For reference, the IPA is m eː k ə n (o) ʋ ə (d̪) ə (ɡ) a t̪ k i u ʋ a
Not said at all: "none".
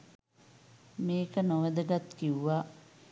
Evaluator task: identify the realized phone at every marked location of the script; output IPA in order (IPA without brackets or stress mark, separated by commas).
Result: o, d̪, ɡ